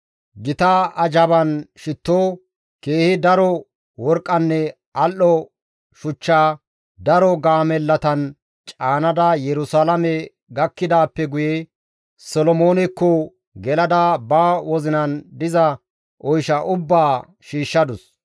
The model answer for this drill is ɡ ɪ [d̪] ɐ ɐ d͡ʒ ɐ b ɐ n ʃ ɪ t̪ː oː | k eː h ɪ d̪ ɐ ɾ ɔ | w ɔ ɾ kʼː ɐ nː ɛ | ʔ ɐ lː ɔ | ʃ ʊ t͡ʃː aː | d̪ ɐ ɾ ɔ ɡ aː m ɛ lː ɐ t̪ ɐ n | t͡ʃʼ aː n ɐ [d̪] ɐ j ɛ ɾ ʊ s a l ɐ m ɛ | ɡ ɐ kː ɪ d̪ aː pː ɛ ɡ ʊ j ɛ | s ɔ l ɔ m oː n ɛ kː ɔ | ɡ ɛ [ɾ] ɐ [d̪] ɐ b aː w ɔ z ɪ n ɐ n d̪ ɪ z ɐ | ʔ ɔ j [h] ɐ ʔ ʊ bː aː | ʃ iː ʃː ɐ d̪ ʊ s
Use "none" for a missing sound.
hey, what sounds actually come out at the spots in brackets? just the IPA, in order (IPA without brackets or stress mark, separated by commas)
t̪, d̪, l, d̪, ʃ